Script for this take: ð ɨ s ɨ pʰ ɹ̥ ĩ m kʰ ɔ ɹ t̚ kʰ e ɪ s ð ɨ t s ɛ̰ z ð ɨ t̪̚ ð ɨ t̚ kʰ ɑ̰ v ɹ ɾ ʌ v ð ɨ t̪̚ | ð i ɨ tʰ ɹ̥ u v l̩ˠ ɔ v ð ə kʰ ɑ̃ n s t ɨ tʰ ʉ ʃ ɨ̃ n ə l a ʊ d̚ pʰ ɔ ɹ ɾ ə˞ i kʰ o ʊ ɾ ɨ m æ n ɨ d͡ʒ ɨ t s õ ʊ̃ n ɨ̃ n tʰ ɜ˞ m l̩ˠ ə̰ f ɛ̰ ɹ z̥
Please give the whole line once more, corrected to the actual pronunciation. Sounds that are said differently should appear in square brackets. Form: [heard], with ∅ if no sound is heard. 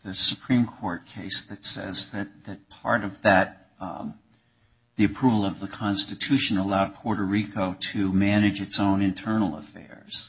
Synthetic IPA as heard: ð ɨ s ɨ pʰ ɹ̥ ĩ m kʰ ɔ ɹ t̚ kʰ e ɪ s ð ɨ t s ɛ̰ z ð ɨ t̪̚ ð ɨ t̚ [pʰ] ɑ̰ [∅] ɹ ɾ ʌ v ð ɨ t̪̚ | ð i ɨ [pʰ] ɹ̥ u v l̩ˠ [ʌ] v ð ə kʰ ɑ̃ n s t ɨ tʰ ʉ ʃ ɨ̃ n ə l a ʊ d̚ pʰ ɔ ɹ ɾ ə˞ i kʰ o ʊ ɾ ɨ m æ n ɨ d͡ʒ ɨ t s õ ʊ̃ n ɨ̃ n tʰ ɜ˞ [n] l̩ˠ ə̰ f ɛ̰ ɹ z̥